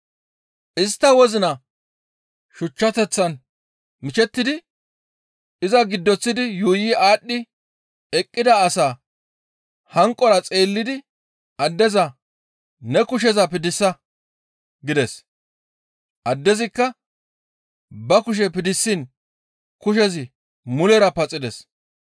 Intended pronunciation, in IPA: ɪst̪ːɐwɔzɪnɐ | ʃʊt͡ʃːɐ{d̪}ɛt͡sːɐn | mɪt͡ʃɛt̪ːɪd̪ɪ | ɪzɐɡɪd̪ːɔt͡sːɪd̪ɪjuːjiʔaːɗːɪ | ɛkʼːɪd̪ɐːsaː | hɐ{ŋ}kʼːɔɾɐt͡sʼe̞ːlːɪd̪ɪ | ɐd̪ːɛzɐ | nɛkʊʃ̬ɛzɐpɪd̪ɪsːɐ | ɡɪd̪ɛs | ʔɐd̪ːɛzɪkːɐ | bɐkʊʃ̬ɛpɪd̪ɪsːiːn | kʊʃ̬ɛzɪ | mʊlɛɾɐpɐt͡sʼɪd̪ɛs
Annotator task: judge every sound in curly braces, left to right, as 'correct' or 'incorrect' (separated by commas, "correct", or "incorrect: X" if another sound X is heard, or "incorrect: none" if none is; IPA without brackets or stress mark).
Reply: incorrect: t̪, correct